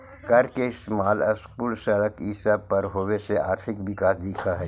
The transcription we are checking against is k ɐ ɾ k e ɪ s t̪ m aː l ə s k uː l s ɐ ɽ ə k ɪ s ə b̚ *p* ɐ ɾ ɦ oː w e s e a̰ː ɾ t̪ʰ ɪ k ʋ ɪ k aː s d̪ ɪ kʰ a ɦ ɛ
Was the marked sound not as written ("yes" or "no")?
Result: no